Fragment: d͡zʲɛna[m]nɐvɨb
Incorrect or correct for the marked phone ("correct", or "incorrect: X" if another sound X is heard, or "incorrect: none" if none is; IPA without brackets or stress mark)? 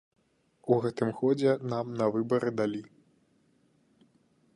correct